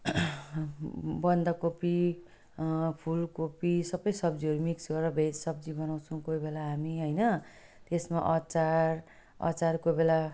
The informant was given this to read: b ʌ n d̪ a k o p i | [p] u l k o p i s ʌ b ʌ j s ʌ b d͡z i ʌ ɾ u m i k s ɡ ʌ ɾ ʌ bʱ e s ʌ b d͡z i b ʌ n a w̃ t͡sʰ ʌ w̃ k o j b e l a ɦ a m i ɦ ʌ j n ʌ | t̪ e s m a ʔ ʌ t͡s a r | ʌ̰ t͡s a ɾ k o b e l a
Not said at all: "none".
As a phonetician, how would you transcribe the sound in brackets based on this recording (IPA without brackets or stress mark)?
pʰ